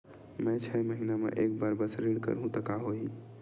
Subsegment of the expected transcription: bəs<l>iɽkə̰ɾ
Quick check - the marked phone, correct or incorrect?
incorrect